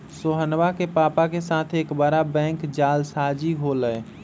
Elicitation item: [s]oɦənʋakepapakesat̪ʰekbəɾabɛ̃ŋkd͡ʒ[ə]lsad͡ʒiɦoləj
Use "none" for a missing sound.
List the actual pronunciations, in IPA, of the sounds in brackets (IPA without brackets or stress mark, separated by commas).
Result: s, a